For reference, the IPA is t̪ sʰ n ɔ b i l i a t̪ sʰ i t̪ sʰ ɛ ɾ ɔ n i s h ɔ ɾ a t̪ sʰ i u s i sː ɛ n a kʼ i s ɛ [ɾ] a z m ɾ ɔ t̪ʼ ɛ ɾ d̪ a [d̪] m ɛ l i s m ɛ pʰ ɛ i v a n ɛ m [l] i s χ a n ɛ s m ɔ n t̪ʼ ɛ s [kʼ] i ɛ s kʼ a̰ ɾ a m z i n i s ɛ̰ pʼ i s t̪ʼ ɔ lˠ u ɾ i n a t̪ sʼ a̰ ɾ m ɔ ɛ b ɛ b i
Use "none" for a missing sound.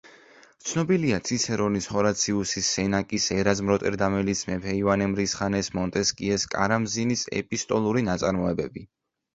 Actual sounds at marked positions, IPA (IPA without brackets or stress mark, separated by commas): ɾ, none, ɾ, kʼ